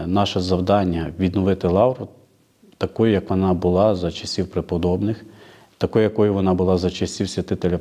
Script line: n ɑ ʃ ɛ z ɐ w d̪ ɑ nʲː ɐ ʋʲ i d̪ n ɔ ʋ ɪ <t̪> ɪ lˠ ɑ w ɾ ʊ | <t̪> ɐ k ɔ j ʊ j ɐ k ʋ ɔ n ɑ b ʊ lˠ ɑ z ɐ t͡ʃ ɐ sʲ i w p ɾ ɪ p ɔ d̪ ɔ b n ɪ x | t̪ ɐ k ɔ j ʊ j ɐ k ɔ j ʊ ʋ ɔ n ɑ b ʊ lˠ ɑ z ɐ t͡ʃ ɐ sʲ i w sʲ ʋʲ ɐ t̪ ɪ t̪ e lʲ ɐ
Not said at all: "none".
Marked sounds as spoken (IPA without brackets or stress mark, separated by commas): t̪, t̪